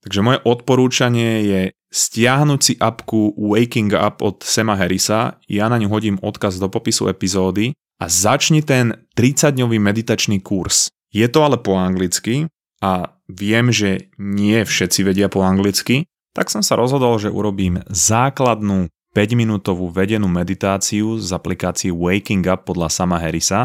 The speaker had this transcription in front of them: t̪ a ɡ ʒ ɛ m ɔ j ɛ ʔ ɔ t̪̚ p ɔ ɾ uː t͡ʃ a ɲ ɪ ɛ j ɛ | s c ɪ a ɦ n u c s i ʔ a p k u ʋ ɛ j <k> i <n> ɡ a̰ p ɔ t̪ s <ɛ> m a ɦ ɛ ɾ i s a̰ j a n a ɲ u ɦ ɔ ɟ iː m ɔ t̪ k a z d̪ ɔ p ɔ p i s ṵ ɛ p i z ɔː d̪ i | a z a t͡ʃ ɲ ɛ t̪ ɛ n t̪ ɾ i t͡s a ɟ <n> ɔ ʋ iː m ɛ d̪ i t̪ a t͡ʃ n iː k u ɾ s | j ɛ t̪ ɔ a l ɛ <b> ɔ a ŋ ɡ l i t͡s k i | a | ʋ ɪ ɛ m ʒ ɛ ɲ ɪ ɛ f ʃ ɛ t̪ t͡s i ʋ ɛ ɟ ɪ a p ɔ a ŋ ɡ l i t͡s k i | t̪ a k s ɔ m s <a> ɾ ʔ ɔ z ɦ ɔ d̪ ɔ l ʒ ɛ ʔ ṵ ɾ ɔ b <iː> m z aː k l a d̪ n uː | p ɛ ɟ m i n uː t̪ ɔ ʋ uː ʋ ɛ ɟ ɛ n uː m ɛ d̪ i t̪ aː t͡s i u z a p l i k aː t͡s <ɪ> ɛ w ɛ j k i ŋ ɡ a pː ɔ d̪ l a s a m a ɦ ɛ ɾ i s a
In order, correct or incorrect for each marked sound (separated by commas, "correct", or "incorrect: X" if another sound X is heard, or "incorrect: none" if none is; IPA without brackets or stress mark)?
correct, incorrect: ŋ, correct, incorrect: ɲ, incorrect: p, correct, correct, incorrect: i